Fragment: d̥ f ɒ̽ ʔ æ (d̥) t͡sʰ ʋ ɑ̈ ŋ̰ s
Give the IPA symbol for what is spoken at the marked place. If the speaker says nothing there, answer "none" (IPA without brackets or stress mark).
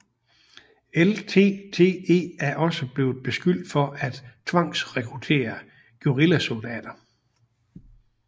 d̥